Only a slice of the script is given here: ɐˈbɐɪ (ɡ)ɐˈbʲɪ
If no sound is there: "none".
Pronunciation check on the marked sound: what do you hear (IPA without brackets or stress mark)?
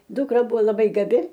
ɡ